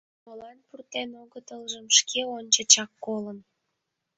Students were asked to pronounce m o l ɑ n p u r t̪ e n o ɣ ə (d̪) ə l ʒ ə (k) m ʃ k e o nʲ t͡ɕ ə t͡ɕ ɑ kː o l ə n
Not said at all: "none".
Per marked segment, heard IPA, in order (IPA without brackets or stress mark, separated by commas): t̪, none